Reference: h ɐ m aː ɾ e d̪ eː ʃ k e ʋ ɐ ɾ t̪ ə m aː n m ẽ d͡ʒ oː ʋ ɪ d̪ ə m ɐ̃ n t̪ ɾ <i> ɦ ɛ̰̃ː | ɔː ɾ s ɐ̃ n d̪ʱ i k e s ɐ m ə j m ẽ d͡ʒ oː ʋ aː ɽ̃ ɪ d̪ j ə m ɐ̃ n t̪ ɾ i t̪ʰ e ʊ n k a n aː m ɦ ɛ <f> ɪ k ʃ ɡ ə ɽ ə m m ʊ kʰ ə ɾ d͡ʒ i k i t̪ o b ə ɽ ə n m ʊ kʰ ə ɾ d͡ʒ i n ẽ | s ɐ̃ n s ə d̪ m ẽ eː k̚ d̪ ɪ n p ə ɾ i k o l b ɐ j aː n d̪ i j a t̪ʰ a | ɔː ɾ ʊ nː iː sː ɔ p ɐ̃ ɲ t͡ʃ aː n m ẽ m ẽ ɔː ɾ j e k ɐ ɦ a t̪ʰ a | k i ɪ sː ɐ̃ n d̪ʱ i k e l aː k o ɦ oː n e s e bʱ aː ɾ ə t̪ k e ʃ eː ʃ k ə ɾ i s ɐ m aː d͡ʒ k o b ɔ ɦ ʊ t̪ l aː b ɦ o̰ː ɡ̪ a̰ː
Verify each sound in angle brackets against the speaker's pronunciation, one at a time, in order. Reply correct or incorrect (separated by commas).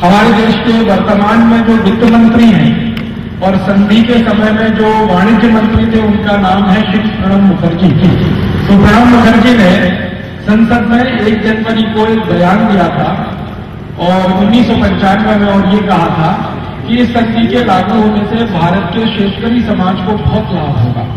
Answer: correct, incorrect